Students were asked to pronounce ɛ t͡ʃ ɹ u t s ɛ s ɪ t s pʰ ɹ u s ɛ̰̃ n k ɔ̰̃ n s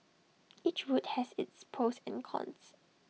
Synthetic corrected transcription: i t͡ʃ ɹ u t h ɛ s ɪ t s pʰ ɹ o s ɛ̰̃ n kʰ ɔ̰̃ n s